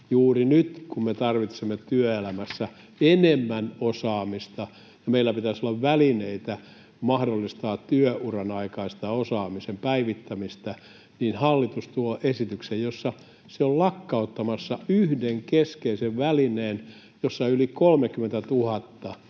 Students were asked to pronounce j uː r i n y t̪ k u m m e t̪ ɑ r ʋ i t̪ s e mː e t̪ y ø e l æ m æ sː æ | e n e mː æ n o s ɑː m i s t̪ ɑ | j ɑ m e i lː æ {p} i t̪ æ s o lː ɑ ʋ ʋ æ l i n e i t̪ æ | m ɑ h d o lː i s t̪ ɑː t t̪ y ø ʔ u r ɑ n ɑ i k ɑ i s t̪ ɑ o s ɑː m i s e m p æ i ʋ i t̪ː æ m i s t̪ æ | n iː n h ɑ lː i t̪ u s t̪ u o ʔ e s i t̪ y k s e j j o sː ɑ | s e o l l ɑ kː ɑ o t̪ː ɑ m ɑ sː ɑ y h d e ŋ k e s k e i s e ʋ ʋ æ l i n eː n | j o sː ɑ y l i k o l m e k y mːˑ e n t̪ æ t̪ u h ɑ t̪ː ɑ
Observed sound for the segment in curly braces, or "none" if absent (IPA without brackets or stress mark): p